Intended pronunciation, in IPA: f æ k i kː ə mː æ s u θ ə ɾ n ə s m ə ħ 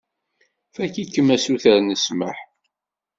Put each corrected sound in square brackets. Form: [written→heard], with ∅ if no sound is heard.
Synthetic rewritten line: f æ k i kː ə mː æ s u θ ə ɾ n ə s m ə ħ